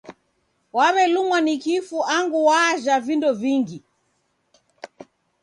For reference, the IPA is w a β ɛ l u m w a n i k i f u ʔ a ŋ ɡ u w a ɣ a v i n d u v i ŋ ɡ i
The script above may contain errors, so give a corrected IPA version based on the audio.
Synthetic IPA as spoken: w a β ɛ l u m w a n i k i f u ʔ a ŋ ɡ u w a ʒ a v i n d ɔ v i ŋ ɡ i